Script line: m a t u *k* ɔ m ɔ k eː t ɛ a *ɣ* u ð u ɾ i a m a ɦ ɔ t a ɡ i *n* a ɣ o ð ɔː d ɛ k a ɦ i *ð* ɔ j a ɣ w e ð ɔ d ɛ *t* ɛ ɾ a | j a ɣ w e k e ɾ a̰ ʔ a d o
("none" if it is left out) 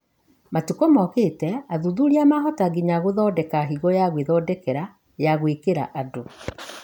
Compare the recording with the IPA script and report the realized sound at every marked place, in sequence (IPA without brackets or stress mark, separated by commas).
k, ð, ɲ, ɣ, k